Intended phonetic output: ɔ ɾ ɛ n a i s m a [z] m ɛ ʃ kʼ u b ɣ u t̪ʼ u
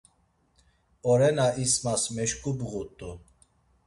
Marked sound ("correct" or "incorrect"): incorrect